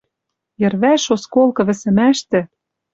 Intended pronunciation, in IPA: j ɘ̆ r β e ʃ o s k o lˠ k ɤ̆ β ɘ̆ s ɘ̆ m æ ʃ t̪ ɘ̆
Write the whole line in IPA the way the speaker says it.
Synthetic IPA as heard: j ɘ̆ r β æ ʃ o s k o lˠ k ɤ̆ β ɘ̆ s ɘ̆ m æ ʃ t̪ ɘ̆